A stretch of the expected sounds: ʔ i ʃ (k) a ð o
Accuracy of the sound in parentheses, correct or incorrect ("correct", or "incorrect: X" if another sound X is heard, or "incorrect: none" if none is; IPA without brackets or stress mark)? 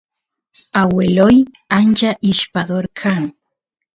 incorrect: p